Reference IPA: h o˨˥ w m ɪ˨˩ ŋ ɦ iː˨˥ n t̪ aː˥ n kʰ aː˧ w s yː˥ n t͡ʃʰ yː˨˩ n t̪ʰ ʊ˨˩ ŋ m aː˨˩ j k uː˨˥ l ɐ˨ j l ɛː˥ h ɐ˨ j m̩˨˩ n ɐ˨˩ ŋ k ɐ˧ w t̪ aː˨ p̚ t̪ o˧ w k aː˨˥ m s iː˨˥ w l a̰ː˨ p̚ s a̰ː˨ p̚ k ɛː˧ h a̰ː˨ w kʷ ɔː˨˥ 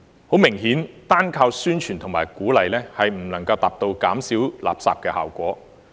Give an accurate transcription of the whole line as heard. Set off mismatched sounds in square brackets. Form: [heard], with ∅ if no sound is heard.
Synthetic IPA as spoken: h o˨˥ w m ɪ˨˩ ŋ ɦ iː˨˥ n t̪ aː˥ n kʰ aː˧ w s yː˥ n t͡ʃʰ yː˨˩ n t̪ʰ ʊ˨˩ ŋ m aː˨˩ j k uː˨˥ l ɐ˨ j l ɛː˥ h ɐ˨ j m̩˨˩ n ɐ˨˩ ŋ k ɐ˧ w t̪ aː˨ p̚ t̪ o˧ w k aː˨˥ m s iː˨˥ w l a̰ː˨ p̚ s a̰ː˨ p̚ k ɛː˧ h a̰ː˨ w kʷ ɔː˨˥